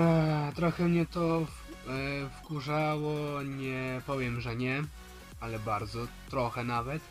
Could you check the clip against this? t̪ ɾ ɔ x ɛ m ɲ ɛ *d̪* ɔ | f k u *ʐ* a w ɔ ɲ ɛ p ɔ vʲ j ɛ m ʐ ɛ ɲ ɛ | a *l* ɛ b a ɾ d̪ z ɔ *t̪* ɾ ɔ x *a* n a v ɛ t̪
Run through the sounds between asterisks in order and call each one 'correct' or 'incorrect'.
incorrect: t̪, correct, correct, correct, incorrect: ɛ

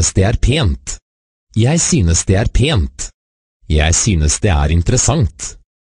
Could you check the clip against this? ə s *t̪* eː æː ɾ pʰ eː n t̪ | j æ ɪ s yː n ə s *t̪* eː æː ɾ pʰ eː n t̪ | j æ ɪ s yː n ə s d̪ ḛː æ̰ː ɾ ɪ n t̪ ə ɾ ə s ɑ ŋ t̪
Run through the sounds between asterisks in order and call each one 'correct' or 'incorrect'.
incorrect: d̪, incorrect: d̪

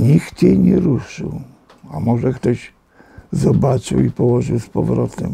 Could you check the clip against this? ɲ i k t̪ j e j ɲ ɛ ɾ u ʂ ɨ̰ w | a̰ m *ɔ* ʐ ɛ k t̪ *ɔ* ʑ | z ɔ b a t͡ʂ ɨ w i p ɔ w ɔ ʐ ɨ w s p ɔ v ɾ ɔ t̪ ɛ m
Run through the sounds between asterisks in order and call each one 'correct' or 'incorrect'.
correct, correct

